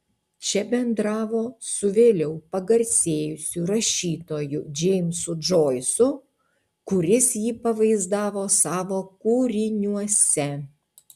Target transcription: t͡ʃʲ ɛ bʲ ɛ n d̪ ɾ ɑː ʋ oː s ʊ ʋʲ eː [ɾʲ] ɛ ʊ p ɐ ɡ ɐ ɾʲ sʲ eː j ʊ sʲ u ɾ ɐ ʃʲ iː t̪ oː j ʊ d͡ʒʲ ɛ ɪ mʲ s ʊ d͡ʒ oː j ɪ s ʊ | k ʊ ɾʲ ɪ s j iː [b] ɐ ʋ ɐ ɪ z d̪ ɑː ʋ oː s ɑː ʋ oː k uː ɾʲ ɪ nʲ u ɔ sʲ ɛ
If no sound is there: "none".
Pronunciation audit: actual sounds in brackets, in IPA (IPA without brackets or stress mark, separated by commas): lʲ, p